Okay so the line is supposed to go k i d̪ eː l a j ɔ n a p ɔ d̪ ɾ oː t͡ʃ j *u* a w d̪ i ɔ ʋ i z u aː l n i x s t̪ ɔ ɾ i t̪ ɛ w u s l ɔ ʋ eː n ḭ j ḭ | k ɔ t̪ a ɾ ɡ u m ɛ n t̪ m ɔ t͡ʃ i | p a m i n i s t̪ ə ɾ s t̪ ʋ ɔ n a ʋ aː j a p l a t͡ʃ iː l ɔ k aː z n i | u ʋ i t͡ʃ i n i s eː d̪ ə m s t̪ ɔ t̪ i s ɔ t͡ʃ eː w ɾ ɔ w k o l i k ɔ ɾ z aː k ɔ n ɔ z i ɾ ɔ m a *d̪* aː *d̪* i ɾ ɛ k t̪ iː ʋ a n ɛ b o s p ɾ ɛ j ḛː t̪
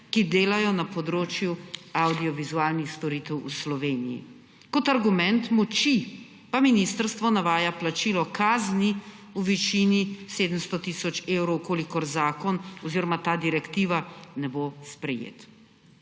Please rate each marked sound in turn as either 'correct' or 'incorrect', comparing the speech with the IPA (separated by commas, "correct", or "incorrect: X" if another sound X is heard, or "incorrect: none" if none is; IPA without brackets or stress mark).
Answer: correct, incorrect: t̪, correct